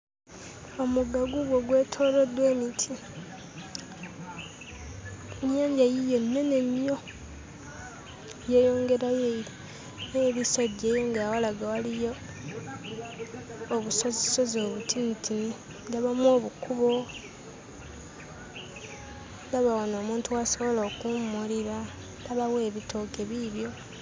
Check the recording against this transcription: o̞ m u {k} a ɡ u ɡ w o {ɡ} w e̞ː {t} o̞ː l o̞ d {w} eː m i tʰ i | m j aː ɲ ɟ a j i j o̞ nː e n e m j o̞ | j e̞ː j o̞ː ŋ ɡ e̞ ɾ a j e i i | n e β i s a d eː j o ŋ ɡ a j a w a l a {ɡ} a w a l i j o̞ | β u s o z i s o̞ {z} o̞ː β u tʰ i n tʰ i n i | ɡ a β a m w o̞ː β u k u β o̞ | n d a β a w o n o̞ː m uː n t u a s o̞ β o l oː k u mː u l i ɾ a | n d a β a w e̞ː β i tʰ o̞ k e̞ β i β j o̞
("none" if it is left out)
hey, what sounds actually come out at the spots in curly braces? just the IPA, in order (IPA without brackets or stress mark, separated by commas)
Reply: ɡ, ɡ, tʰ, w, ɡ, z